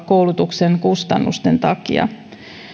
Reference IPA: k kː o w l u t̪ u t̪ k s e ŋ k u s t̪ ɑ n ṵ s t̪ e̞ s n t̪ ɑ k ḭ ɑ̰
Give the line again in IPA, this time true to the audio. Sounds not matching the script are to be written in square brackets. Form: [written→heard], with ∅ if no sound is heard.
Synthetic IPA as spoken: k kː o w l u t̪ u [t̪→∅] k s e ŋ k u s t̪ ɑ [n→nː] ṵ s t̪ e̞ [s→∅] n t̪ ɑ k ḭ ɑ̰